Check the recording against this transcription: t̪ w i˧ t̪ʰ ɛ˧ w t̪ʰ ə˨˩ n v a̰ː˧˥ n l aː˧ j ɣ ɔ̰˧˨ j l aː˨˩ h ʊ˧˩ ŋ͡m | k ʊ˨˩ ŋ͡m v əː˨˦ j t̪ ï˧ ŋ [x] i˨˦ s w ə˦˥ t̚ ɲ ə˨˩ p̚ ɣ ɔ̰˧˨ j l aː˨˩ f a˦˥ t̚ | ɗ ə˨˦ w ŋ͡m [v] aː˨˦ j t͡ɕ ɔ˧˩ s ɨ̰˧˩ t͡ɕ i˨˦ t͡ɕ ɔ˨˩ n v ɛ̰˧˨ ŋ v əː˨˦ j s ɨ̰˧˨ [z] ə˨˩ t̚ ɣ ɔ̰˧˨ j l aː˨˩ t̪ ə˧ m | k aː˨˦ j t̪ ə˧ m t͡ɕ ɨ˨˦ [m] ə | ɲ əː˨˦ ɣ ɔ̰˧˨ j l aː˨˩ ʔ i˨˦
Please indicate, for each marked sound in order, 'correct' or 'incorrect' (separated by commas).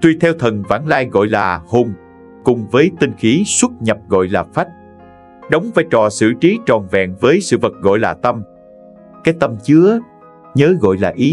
correct, correct, incorrect, incorrect